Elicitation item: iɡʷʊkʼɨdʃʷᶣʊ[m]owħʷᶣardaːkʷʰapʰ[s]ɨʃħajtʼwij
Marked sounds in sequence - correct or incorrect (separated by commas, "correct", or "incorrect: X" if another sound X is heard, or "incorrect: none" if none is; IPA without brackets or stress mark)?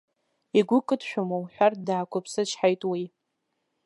correct, correct